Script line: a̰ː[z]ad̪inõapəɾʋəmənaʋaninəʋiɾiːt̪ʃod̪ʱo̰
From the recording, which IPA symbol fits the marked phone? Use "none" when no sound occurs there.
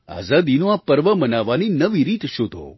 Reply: z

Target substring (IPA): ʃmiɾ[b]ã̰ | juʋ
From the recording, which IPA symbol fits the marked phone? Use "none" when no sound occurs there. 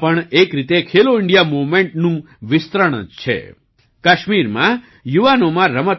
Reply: m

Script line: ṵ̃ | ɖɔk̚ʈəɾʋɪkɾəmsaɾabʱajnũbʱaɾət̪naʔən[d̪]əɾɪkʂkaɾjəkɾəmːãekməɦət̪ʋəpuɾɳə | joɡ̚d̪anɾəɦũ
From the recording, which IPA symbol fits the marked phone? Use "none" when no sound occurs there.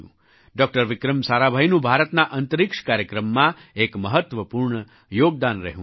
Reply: t̪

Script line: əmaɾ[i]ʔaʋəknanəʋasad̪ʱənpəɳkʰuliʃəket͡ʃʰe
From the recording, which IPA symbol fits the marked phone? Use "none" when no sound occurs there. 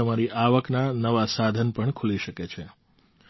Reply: i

